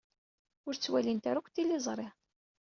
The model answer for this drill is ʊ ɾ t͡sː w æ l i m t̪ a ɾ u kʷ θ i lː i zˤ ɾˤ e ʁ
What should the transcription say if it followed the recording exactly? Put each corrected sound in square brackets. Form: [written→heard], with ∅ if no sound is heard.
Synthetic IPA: ʊ ɾ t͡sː w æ l i [m→n] t̪ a ɾ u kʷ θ i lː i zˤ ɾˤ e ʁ